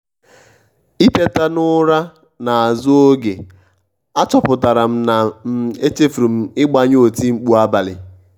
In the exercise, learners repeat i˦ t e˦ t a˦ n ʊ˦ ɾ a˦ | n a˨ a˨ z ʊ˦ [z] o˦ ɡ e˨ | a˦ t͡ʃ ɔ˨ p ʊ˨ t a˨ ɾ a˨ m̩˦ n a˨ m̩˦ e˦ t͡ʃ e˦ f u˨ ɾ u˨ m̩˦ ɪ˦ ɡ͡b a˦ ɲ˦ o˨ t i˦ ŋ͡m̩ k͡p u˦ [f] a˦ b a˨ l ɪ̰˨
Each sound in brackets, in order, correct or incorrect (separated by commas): incorrect, incorrect